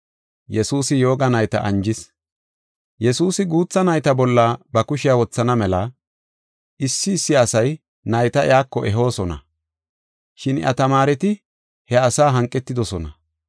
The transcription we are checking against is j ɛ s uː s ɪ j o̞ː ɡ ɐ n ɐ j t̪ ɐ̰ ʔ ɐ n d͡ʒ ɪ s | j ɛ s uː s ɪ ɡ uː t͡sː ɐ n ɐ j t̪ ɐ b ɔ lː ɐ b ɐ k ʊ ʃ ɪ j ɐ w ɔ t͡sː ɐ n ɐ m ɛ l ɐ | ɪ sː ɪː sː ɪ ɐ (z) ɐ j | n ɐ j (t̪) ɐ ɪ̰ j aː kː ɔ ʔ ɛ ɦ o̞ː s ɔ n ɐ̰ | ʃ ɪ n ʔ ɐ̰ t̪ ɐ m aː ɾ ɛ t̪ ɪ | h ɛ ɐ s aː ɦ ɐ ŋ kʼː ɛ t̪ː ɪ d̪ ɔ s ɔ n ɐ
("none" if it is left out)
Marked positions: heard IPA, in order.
s, t̪

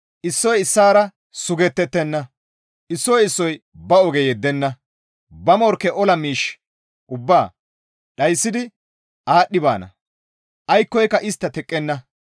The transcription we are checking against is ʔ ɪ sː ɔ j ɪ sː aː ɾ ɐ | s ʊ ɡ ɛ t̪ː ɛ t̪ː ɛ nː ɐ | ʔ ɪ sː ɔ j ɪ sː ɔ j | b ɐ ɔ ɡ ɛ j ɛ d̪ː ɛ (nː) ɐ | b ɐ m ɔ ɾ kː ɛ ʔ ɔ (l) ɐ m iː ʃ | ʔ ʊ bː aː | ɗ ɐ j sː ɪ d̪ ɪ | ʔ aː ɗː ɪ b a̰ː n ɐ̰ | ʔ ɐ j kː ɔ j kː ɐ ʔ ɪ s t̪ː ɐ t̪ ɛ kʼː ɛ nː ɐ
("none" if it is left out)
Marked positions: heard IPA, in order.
nː, l

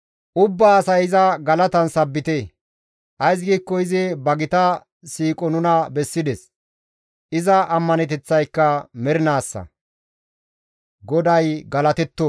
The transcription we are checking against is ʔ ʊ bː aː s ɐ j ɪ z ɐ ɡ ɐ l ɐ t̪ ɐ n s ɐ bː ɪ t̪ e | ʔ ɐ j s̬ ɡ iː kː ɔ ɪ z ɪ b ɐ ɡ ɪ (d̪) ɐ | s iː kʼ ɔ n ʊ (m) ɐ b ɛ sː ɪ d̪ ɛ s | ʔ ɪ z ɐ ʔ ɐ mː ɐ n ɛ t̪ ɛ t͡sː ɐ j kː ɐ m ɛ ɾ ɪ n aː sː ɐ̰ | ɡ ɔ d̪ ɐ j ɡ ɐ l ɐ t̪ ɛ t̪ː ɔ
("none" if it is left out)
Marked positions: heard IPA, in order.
t̪, n

